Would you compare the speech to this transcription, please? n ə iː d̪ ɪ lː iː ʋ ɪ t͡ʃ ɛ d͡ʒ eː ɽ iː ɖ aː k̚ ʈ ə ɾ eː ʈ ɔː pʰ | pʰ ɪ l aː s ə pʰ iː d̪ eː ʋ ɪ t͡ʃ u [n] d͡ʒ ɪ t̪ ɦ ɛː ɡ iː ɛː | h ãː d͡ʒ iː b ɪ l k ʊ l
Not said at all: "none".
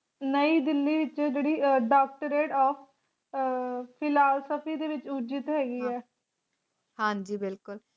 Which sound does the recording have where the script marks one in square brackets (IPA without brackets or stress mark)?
none